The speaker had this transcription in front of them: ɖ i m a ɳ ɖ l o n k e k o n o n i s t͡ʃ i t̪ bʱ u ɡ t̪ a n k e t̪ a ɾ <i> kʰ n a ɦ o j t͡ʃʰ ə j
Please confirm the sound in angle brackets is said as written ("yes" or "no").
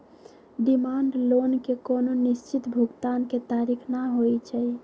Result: yes